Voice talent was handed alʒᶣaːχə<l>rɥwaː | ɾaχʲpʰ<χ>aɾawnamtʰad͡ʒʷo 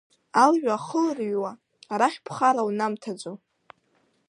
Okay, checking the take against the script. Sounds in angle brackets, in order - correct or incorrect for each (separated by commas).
correct, correct